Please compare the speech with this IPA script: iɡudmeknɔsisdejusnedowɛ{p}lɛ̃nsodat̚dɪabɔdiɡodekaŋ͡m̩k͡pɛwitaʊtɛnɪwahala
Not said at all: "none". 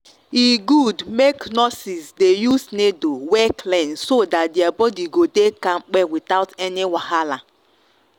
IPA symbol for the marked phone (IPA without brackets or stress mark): k